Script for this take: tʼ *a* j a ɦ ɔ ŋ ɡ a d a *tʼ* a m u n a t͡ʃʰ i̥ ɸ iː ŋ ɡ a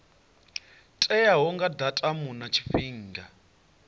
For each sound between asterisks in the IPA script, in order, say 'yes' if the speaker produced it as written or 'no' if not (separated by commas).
no, yes